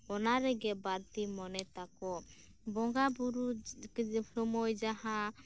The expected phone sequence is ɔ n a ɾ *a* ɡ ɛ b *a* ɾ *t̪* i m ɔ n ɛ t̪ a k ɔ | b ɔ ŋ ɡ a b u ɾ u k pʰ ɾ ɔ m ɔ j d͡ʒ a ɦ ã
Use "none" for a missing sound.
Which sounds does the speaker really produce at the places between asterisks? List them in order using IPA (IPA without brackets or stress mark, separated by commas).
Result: ɛ, a, t̪